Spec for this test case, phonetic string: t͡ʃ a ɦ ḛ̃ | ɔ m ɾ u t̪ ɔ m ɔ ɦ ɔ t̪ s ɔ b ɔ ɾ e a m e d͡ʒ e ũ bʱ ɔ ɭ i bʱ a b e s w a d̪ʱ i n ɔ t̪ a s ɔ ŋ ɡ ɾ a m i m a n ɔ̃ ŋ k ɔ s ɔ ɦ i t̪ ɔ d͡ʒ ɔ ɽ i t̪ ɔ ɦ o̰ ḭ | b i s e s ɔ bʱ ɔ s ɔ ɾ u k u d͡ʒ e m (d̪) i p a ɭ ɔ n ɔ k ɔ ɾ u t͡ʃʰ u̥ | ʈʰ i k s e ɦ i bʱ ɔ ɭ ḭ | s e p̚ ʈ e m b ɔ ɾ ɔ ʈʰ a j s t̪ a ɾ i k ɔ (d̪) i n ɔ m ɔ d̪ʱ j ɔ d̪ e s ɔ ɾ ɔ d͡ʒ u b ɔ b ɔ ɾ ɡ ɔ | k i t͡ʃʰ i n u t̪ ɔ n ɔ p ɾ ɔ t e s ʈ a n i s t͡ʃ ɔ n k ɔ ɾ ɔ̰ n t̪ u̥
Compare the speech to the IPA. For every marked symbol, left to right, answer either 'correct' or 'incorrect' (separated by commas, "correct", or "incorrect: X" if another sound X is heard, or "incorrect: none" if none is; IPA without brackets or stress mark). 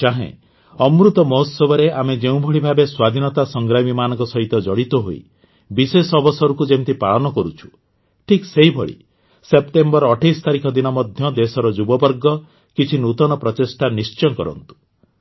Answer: incorrect: t̪, correct